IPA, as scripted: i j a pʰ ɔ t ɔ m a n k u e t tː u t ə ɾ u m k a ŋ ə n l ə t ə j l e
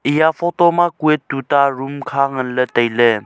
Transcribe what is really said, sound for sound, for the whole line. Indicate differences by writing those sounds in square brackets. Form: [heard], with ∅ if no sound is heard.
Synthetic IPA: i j a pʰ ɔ t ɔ m a [∅] k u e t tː u t [a] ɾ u m [kʰ] a ŋ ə n l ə t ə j l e